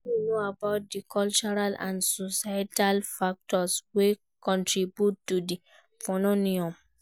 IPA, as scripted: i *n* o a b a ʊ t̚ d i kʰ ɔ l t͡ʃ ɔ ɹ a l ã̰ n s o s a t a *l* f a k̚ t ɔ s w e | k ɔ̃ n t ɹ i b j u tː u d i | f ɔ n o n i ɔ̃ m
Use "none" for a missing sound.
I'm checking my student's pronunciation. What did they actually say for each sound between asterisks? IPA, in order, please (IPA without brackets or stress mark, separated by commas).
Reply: n, l